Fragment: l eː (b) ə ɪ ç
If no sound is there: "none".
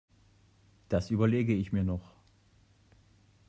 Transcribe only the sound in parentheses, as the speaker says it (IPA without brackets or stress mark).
ɡ